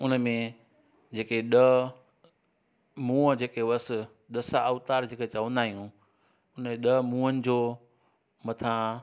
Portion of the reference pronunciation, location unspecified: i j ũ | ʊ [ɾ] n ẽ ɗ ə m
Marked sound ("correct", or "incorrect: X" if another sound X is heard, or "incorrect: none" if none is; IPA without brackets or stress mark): incorrect: none